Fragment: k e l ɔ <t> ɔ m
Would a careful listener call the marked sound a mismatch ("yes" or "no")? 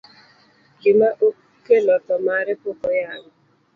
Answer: no